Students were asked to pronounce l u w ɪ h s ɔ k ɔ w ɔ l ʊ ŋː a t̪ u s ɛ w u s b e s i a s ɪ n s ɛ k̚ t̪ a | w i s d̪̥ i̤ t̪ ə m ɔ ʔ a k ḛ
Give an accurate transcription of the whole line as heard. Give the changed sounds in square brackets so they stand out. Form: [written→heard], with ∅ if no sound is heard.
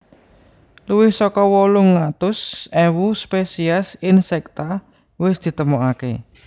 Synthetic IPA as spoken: l u w ɪ h s ɔ k ɔ w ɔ l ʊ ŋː a t̪ [u→ʊ] s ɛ w u s [b→p] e s i a s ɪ n s ɛ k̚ t̪ a | w [i→ɪ] s d̪̥ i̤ t̪ ə m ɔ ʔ a k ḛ